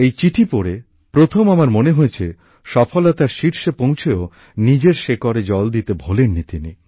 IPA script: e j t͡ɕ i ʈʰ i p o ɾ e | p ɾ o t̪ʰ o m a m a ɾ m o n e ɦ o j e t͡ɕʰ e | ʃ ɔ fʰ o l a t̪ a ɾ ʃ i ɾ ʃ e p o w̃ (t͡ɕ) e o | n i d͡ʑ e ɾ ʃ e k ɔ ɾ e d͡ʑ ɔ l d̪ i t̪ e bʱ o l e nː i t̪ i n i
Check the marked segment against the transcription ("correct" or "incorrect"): incorrect